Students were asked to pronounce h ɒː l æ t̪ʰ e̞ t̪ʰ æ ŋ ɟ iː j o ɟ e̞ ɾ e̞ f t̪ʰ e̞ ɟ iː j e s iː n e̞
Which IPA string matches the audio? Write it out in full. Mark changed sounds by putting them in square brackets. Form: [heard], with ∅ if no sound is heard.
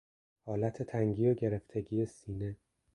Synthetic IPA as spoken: h ɒː l æ t̪ʰ e̞ t̪ʰ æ ŋ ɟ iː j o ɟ e̞ ɾ e̞ f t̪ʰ e̞ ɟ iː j e s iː n e̞